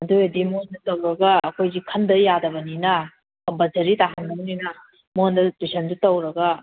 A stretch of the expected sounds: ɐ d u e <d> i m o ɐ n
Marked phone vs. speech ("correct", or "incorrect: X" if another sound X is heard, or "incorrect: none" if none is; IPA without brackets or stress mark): correct